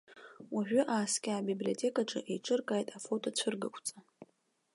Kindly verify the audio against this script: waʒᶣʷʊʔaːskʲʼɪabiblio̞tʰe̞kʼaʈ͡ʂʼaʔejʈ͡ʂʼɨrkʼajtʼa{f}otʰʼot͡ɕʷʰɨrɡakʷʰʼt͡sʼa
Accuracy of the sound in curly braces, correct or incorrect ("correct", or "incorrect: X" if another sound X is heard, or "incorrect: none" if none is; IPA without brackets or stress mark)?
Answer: correct